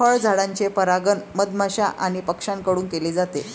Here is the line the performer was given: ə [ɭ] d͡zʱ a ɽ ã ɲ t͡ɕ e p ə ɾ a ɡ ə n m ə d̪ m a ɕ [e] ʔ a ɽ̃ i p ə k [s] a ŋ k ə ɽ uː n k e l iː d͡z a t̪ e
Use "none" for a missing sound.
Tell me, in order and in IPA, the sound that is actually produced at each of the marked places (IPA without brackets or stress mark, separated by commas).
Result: ɭ, a, ʂ